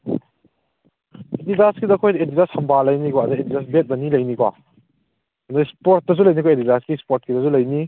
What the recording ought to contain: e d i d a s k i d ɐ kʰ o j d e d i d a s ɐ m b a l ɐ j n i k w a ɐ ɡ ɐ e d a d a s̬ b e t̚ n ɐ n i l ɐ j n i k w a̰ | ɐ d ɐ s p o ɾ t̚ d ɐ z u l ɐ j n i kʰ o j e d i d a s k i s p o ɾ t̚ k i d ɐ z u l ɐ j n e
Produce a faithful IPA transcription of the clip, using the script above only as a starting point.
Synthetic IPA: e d i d a s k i d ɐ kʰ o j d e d i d a s ɐ m b a l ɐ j n i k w a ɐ d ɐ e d i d a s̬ b e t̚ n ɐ n i l ɐ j n i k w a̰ | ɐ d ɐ s p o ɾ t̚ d ɐ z u l ɐ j n i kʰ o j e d i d a s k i s p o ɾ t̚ k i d ɐ z u l ɐ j n i